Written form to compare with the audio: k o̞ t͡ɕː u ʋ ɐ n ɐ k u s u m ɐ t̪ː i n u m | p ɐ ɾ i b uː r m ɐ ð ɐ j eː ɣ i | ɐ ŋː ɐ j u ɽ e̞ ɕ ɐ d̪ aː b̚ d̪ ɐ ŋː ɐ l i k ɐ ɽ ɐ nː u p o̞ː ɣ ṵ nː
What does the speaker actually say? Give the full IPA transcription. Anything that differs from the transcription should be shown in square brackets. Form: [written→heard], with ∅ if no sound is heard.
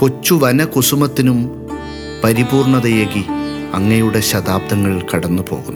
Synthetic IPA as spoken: k o̞ t͡ɕː u ʋ ɐ n ɐ k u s u m ɐ t̪ː i n u m | p ɐ ɾ i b uː r [m→ɳ] ɐ ð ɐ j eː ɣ i | ɐ ŋː ɐ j u ɽ e̞ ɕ ɐ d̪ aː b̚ d̪ ɐ ŋː ɐ [l→ɭ] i k ɐ ɽ ɐ nː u p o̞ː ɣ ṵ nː